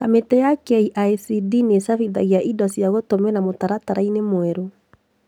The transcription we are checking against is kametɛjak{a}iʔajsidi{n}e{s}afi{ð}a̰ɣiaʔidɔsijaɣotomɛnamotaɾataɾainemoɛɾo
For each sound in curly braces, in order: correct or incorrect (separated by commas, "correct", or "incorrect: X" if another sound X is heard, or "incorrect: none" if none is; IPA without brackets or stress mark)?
incorrect: ɛ, correct, correct, correct